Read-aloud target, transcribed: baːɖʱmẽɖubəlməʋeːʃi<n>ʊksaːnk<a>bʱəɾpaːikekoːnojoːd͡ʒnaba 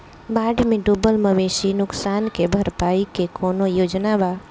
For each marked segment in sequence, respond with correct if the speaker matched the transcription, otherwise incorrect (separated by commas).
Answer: correct, incorrect